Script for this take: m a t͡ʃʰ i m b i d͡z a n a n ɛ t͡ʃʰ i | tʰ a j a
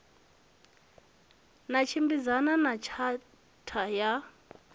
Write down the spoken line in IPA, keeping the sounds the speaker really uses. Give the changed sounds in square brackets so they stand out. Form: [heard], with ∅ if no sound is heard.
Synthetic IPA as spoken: [n] a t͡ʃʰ i m b i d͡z a n a n [a] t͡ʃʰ [a] | tʰ a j a